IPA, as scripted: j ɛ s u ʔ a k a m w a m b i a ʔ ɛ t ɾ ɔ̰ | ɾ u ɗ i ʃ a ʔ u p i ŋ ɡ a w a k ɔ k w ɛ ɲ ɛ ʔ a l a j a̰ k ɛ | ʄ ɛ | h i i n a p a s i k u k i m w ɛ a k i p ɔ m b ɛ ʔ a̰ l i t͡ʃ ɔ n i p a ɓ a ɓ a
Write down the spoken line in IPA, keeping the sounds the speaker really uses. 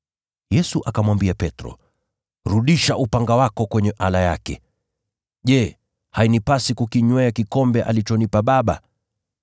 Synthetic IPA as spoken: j ɛ s u ʔ a k a m w a m b i a p ɛ t ɾ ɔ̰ | ɾ u ɗ i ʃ a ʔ u p a ŋ ɡ a w a k ɔ k w ɛ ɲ ɛ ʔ a l a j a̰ k ɛ | ʄ ɛ | h a i n i p a s i k u k i ɲ w ɛ a k i k ɔ m b ɛ ʔ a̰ l i t͡ʃ ɔ n i p a ɓ a ɓ a

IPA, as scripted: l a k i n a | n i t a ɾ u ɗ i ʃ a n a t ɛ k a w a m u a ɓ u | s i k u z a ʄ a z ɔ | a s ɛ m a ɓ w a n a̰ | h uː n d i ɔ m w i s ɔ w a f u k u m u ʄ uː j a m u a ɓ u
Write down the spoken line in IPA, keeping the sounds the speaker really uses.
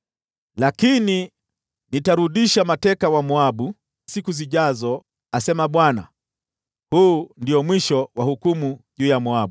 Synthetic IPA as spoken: l a k i n i | n i t a ɾ u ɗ i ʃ a m a t ɛ k a w a m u a ɓ u | s i k u z i ʄ a z ɔ | a s ɛ m a ɓ w a n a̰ | h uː n d i ɔ m w i ʃ ɔ w a h u k u m u ʄ uː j a m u a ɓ u

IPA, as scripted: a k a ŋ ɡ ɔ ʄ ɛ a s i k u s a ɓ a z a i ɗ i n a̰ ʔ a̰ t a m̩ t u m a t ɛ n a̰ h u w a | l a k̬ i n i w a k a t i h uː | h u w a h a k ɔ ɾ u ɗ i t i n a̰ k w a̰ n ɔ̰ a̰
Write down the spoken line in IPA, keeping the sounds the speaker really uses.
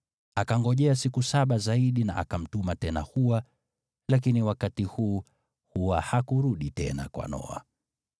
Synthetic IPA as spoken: a k a ŋ ɡ ɔ ʄ ɛ a s i k u s a ɓ a z a i ɗ i n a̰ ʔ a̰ k a m̩ t u m a t ɛ n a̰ h u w a | l a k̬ i n i w a k a t i h uː | h u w a h a k u ɾ u ɗ i t ɛ n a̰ k w a̰ n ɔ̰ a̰

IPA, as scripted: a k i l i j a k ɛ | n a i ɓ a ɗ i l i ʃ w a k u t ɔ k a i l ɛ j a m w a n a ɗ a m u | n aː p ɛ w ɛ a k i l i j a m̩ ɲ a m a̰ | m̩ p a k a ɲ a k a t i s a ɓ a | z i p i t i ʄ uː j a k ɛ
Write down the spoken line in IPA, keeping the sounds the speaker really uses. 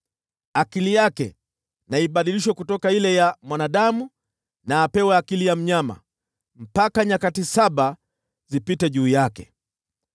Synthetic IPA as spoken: a k i l i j a k ɛ | n a i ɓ a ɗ i l i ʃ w a k u t ɔ k a i l ɛ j a m w a n a ɗ a m u | n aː p ɛ w ɛ a k i l i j a m̩ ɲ a m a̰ | m̩ p a k a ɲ a k a t i s a ɓ a | z i p i t ɛ ʄ uː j a k ɛ

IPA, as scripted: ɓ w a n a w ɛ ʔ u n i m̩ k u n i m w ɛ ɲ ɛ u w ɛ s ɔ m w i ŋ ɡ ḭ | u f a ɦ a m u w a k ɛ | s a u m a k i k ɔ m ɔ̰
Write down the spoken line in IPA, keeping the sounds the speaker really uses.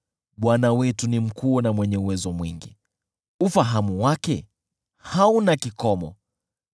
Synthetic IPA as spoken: ɓ w a n a w ɛ t u n i m̩ k u n a m w ɛ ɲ ɛ u w ɛ z ɔ m w i ŋ ɡ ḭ | u f a ɦ a m u w a k ɛ | h a u n a k i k ɔ m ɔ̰

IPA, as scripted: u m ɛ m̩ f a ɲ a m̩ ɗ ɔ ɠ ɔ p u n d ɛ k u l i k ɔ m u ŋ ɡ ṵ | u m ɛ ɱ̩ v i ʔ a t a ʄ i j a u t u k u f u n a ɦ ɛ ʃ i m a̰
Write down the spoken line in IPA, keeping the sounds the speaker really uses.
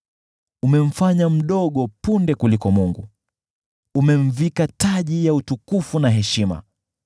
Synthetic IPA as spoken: u m ɛ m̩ f a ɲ a m̩ ɗ ɔ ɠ ɔ p u n d ɛ k u l i k ɔ m u ŋ ɡ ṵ | u m ɛ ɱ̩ v i k a t a ʄ i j a u t u k u f u n a ɦ ɛ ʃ i m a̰

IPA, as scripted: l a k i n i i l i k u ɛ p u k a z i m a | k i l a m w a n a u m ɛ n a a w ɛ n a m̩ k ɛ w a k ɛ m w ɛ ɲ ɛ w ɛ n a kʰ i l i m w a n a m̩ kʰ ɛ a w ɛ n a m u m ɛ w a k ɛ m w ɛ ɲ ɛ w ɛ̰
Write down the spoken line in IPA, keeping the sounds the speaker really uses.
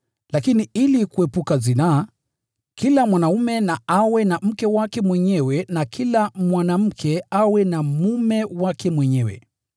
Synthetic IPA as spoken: l a k i n i i l i k u ɛ p u k a z i n a | k i l a m w a n a u m ɛ n a a w ɛ n a m̩ k ɛ w a k ɛ m w ɛ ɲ ɛ w ɛ n a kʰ i l a m w a n a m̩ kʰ ɛ a w ɛ n a m u m ɛ w a k ɛ m w ɛ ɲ ɛ w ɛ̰

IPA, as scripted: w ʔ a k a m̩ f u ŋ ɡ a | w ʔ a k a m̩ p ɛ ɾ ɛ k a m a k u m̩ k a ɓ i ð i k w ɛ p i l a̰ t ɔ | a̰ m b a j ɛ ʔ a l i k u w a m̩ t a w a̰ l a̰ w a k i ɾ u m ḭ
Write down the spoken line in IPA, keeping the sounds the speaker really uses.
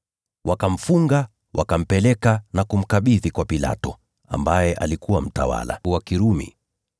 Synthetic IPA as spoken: w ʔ a k a m̩ f u ŋ ɡ a | w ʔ a k a m̩ p ɛ l ɛ k a n a k u m̩ k a ɓ i ð i k w a p i l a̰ t ɔ | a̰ m b a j ɛ ʔ a l i k u w a m̩ t a w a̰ l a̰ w a k i ɾ u m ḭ

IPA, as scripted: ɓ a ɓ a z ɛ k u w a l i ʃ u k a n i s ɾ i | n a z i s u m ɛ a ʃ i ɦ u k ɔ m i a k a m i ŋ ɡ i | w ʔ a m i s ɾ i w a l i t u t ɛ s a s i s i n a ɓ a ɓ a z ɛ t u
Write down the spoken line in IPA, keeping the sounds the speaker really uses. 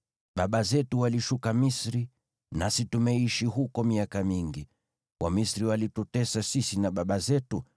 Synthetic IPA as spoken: ɓ a ɓ a z ɛ t u w a l i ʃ u k a m i s ɾ i | n a s i t u m ɛ i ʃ i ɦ u k ɔ m i a k a m i ŋ ɡ i | w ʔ a m i s ɾ i w a l i t u t ɛ s a s i s i n a ɓ a ɓ a z ɛ t u

